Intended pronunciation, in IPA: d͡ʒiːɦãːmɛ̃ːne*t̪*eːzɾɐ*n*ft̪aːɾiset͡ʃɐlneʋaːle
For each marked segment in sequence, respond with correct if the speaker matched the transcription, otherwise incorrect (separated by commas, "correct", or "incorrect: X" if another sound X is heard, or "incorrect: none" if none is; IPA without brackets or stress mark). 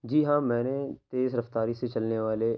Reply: correct, incorrect: none